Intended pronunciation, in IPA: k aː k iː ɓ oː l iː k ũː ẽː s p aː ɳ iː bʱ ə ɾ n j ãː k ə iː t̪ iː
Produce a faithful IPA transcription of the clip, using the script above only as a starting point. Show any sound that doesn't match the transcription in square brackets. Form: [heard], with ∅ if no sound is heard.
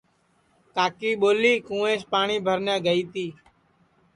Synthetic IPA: k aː k iː ɓ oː l iː k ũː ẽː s p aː ɳ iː bʱ ə ɾ n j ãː [ɡ] ə iː t̪ iː